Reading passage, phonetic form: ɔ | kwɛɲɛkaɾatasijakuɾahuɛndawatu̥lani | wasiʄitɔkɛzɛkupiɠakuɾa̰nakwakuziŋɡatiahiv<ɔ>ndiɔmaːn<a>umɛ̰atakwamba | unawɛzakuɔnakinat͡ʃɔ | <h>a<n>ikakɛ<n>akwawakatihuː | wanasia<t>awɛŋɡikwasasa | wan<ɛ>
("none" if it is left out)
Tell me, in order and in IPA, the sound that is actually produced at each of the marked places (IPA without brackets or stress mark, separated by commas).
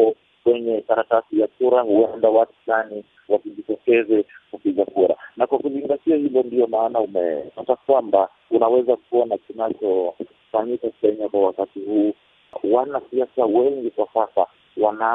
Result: ɔ, a, f, ɲ, ɲ, s, a